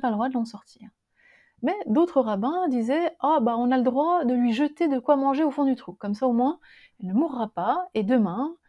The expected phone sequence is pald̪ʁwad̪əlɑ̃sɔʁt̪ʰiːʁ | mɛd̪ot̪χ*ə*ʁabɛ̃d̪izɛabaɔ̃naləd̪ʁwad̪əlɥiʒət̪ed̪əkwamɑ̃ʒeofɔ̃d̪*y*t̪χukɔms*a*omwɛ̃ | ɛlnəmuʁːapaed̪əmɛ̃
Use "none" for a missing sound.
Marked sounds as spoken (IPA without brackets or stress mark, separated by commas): ə, y, a